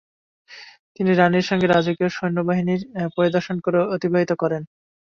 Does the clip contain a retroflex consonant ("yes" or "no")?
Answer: no